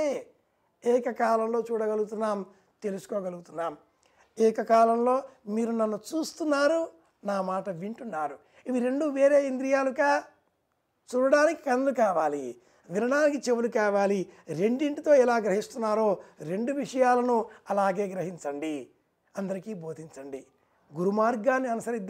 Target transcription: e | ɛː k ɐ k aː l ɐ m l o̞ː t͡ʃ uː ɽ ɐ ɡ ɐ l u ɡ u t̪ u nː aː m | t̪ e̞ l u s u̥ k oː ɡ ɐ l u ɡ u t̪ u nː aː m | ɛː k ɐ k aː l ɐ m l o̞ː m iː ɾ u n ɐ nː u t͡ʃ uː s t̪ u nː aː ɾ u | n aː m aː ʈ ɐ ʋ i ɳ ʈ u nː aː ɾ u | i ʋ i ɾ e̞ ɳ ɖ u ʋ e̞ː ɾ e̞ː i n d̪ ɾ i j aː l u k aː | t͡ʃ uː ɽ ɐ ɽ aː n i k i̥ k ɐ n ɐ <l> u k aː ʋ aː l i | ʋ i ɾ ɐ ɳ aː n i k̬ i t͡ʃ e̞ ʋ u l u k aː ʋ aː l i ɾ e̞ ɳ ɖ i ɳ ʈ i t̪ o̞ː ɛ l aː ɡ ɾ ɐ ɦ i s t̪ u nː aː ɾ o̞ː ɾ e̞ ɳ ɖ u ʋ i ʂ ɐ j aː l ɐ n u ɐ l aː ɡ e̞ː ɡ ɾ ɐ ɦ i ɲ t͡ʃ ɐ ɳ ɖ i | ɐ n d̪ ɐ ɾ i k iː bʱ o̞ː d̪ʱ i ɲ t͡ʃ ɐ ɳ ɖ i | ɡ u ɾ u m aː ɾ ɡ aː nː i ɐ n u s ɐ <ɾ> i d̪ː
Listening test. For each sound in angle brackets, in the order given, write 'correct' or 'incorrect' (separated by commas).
correct, correct